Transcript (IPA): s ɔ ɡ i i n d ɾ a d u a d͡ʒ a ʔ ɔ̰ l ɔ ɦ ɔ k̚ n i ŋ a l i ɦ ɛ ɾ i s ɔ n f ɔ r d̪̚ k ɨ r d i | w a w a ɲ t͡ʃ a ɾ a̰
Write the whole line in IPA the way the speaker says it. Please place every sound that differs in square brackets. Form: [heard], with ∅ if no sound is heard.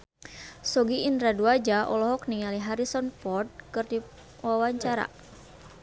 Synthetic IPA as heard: s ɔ ɡ i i n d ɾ a d u a d͡ʒ a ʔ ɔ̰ l ɔ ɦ ɔ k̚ n i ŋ a l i ɦ [a] ɾ i s ɔ n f ɔ r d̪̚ k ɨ r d i | w a w a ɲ t͡ʃ a ɾ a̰

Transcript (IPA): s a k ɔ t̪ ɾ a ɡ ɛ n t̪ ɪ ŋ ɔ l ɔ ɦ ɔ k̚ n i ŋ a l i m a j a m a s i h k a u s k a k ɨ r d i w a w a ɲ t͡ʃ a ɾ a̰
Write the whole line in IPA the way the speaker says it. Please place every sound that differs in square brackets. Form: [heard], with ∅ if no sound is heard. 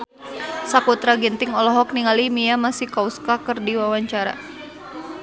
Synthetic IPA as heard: s a k [u] t̪ ɾ a ɡ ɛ n t̪ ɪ ŋ ɔ l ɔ ɦ ɔ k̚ n i ŋ a l i m [i] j a m a s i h k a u s k a k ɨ r d i w a w a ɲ t͡ʃ a ɾ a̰

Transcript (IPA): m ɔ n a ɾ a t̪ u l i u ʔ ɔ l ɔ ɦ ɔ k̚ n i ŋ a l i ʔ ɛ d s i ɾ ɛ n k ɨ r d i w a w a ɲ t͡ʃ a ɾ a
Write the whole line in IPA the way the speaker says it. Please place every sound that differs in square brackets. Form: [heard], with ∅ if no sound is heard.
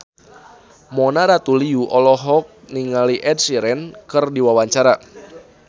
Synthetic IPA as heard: m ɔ n a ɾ a t̪ u l i u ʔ ɔ l ɔ ɦ ɔ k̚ n i ŋ a l i ʔ ɛ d s i ɾ ɛ n k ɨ r d i w a w a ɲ t͡ʃ a ɾ a

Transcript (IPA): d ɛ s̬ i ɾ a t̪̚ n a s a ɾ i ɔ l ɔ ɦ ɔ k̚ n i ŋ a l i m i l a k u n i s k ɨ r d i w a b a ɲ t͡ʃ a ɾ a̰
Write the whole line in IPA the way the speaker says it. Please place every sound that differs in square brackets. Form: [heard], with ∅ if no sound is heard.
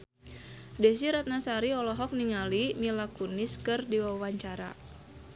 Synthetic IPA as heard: d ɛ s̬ i ɾ a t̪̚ n a s a ɾ i ɔ l ɔ ɦ ɔ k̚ n i ŋ a l i m i l a k u n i s k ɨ r d i w a [w] a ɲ t͡ʃ a ɾ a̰

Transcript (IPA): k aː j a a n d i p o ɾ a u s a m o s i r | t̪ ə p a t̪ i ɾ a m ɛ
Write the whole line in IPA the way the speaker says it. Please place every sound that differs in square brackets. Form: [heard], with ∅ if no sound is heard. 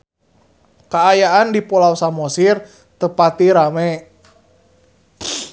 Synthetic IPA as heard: k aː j a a n d i p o [l] a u s a m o s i r | t̪ ə p a t̪ i ɾ a m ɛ

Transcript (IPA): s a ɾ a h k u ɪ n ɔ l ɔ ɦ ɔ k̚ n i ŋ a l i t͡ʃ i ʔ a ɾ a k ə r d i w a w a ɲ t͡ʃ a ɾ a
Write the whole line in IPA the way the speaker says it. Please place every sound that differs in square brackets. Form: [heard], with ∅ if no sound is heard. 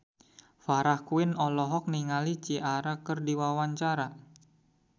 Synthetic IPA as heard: [f] a ɾ a h k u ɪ n ɔ l ɔ ɦ ɔ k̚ n i ŋ a l i t͡ʃ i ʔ a ɾ a k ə r d i w a w a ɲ t͡ʃ a ɾ a

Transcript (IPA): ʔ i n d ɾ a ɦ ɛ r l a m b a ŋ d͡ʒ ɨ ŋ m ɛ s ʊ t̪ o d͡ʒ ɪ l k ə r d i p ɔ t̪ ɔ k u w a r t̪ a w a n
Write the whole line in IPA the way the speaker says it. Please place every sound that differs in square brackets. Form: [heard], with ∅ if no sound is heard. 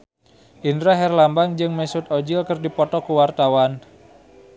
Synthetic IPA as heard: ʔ i n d ɾ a ɦ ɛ r l a m b a ŋ d͡ʒ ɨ ŋ m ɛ s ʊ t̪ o d͡ʒ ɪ l k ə r d i p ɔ t̪ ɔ k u w a r t̪ a w a n

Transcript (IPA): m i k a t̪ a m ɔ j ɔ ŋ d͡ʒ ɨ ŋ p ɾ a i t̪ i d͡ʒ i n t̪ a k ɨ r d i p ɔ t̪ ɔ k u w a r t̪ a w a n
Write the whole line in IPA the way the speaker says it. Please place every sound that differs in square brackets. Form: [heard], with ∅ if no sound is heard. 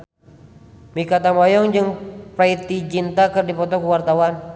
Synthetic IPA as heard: m i k a t̪ a m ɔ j ɔ ŋ d͡ʒ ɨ ŋ p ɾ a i t̪ i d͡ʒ i n t̪ a k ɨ r d i p ɔ t̪ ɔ k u w a r t̪ a w a n

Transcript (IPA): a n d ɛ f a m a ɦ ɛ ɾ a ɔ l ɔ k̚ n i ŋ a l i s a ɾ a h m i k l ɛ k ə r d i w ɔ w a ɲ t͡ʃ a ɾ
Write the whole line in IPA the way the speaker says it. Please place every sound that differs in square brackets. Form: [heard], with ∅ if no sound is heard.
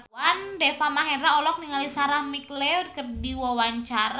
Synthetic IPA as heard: a n d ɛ f a m a ɦ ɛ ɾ a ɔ l ɔ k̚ n i ŋ a l i s a ɾ a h m i k l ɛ k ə r d i w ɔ w a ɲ t͡ʃ a ɾ

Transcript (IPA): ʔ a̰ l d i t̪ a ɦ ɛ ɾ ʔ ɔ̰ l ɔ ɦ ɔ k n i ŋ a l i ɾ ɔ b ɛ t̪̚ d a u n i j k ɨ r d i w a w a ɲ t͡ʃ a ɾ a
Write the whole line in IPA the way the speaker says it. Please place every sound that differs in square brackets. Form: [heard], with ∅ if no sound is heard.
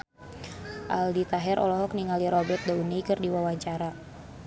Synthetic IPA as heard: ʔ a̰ l d i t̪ a ɦ ɛ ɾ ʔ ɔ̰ l ɔ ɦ ɔ k n i ŋ a l i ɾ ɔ b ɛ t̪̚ d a u n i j k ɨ r d i w a w a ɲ t͡ʃ a ɾ a

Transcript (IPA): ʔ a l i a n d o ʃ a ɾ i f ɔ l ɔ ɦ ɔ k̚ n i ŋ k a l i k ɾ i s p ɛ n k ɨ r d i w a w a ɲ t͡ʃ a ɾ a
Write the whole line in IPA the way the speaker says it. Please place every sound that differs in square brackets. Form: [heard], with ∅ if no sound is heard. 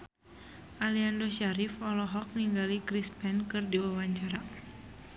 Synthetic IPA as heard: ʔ a l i a n d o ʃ a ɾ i f ɔ l ɔ ɦ ɔ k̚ n i ŋ [ɡ] a l i k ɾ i s p ɛ n k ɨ r d i w a w a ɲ t͡ʃ a ɾ a

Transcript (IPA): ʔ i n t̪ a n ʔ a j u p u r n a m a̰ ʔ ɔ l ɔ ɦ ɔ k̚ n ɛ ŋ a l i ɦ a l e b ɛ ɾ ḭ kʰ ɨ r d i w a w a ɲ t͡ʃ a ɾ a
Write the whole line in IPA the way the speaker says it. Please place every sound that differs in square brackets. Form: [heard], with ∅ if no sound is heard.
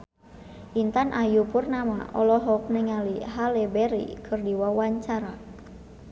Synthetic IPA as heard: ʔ i n t̪ a n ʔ a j u p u r n a m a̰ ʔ ɔ l ɔ ɦ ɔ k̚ n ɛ ŋ a l i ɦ a l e b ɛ ɾ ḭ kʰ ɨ r d i w a w a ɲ t͡ʃ a ɾ a

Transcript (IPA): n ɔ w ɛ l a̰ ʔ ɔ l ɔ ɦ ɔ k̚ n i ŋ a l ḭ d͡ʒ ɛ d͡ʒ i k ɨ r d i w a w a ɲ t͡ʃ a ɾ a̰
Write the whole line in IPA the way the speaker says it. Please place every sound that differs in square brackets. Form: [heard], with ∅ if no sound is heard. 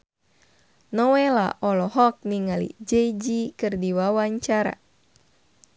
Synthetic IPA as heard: n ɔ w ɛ l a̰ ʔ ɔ l ɔ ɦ ɔ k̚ n i ŋ a l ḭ d͡ʒ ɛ d͡ʒ i k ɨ r d i w a w a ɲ t͡ʃ a ɾ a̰

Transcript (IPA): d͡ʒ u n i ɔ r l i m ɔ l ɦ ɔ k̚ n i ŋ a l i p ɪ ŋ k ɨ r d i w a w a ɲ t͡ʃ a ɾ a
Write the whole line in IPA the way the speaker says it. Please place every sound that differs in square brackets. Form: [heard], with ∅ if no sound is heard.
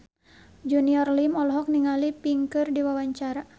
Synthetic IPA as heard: d͡ʒ u n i ɔ r l i m ɔ l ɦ ɔ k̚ n i ŋ a l i p [i] ŋ k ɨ r d i w a w a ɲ t͡ʃ a ɾ a

